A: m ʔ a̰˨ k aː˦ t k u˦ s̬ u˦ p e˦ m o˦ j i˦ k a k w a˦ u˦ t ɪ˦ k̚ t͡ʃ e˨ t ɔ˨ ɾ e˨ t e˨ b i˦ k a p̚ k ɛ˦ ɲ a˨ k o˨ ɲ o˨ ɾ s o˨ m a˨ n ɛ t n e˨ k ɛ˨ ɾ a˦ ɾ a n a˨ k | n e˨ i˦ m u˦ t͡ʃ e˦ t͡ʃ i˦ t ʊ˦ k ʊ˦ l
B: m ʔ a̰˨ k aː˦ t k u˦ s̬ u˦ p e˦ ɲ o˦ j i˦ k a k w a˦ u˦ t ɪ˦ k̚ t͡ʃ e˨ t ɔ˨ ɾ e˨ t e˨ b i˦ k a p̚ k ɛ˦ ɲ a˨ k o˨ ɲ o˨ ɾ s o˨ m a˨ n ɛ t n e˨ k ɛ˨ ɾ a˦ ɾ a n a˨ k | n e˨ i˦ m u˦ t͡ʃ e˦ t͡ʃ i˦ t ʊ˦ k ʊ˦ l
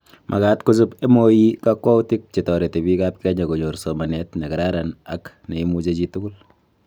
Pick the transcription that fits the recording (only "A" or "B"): A